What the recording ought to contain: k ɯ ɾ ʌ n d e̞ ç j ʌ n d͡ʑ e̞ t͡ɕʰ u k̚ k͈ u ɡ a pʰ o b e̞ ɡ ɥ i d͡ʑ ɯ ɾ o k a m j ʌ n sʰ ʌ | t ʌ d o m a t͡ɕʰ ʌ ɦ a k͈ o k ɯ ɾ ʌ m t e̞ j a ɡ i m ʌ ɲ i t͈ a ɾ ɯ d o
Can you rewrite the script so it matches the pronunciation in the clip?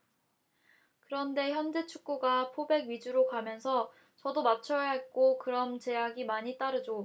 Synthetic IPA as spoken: k ɯ ɾ ʌ n d e̞ ç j ʌ n d͡ʑ e̞ t͡ɕʰ u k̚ k͈ u ɡ a pʰ o b e̞ ɡ ɥ i d͡ʑ u ɾ o k a m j ʌ n sʰ ʌ | t͡ɕ ʌ d o m a t͡ɕʰ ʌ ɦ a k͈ o k ɯ ɾ ʌ m t͡ɕ e̞ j a ɡ i m a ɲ i t͈ a ɾ ɯ d͡ʑ o